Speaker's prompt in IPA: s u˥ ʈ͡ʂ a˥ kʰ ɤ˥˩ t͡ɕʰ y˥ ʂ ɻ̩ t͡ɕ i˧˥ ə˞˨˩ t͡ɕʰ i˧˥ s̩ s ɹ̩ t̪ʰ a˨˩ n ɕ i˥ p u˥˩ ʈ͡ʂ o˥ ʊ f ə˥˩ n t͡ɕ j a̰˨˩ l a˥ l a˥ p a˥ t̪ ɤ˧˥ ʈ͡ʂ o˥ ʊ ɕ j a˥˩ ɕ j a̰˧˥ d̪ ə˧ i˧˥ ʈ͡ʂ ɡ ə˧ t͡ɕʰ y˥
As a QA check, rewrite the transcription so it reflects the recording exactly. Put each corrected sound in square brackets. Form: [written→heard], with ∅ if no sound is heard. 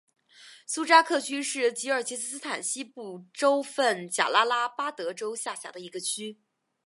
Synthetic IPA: s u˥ ʈ͡ʂ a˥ kʰ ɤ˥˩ t͡ɕʰ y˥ ʂ ɻ̩ t͡ɕ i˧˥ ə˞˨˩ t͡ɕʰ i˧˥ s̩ s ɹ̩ t̪ʰ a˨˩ n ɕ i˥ p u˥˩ ʈ͡ʂ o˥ ʊ f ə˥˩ n t͡ɕ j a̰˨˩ l a˥ l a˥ p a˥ t̪ ɤ˧˥ ʈ͡ʂ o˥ ʊ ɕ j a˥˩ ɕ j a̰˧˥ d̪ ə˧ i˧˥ [ʈ͡ʂ→∅] ɡ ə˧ t͡ɕʰ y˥